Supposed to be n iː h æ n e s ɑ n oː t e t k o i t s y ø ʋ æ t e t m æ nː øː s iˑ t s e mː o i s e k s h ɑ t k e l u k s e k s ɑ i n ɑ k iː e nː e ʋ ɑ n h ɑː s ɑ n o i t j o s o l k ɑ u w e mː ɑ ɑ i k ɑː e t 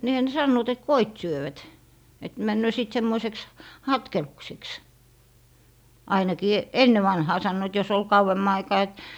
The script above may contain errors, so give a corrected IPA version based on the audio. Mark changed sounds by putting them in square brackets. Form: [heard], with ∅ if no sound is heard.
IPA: n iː h æ n e s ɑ [nː] oː t e t k o i t s y ø ʋ æ t e t m æ nː øː s iˑ t s e mː o i s e k s h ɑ t k e l u k s e k s ɑ i n ɑ k iː e nː e ʋ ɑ n h ɑː s ɑ [nː] o i t j o s o l k ɑ u w e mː ɑ ɑ i k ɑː e t